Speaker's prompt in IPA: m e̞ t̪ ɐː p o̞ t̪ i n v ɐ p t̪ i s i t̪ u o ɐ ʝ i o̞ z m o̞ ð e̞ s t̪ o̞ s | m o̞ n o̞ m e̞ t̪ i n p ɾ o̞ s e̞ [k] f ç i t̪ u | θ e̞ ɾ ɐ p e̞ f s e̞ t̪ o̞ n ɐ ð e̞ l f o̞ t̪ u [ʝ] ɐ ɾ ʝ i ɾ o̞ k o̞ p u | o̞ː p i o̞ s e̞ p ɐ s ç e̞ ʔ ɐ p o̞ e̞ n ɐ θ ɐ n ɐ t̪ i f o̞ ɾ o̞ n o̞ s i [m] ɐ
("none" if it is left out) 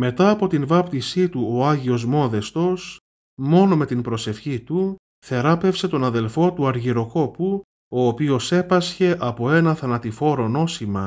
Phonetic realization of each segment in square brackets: none, none, m

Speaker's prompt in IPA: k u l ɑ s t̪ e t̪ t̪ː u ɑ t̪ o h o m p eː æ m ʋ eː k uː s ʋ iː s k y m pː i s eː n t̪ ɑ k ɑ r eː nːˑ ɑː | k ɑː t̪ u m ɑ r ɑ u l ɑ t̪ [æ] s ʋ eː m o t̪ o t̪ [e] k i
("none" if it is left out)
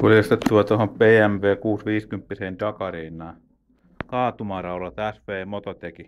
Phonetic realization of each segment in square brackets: æ, e

